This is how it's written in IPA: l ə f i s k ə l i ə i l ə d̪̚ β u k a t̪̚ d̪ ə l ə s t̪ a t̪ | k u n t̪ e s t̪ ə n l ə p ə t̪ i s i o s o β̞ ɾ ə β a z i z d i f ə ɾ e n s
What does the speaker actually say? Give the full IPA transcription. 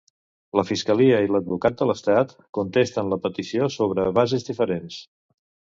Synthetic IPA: l ə f i s k ə l i ə i l ə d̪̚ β u k a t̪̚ d̪ ə l ə s t̪ a t̪ | k u n t̪ e s t̪ ə n l ə p ə t̪ i s i o s o β̞ ɾ ə β a z i z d i f ə ɾ e n s